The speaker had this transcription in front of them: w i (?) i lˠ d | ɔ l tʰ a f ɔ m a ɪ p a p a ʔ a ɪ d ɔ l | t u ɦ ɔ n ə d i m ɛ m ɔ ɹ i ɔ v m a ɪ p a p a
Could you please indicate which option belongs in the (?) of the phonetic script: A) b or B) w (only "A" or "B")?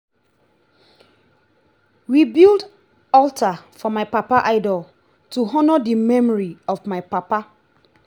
A